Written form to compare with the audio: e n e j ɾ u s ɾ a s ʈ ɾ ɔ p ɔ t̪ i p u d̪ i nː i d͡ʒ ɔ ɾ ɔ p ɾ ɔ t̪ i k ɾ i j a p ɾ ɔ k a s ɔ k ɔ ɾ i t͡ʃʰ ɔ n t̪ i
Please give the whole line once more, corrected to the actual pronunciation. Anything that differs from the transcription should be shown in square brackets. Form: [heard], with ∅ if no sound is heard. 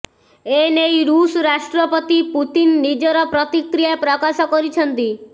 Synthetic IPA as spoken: e n e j ɾ u s ɾ a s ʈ ɾ ɔ p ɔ t̪ i p u [t̪] i nː i d͡ʒ ɔ ɾ ɔ p ɾ ɔ t̪ i k ɾ i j a p ɾ ɔ k a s ɔ k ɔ ɾ i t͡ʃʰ ɔ n t̪ i